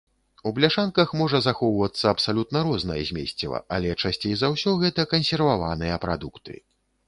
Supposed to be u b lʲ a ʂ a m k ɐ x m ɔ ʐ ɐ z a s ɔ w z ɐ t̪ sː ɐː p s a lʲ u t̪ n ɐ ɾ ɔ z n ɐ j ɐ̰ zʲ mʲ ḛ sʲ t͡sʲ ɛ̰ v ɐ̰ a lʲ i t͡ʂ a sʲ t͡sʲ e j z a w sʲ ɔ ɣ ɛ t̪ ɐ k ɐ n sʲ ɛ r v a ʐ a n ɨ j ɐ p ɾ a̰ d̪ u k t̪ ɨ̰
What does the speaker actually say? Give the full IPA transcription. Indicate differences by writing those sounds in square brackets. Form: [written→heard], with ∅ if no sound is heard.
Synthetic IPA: u b lʲ a ʂ a [m→n] k ɐ x m ɔ ʐ ɐ z a [s→x] ɔ w [z→v] ɐ t̪ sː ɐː p s a lʲ u t̪ n ɐ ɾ ɔ z n ɐ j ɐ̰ zʲ mʲ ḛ sʲ t͡sʲ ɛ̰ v ɐ̰ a lʲ [i→ɛ] t͡ʂ a sʲ t͡sʲ e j z a w sʲ ɔ ɣ ɛ t̪ ɐ k ɐ n sʲ ɛ r v a [ʐ→v] a n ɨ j ɐ p ɾ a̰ d̪ u k t̪ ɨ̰